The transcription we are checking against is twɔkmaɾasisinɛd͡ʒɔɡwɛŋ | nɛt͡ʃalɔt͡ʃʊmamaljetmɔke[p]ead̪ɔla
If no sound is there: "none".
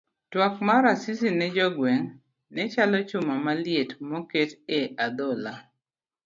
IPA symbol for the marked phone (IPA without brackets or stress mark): t